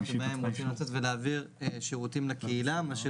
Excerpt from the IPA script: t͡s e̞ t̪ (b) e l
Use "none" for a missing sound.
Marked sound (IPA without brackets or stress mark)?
v